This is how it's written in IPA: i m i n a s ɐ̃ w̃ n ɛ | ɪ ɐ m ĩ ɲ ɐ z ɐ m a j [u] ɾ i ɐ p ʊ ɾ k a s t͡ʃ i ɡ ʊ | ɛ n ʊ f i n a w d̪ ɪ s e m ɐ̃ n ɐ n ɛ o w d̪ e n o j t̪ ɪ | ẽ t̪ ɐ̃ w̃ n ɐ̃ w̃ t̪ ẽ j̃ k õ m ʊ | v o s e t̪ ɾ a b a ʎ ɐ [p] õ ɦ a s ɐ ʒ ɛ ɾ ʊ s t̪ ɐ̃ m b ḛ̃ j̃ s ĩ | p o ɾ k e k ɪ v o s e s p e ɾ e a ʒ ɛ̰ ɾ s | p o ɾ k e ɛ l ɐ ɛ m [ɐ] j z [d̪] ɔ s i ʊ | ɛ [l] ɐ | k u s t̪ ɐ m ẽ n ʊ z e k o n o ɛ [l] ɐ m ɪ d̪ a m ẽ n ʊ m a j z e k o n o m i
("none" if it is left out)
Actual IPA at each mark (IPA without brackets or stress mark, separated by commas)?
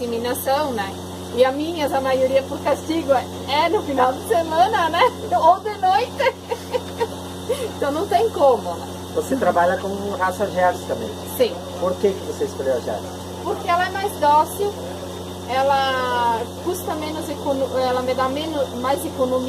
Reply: o, k, a, d̪, l, l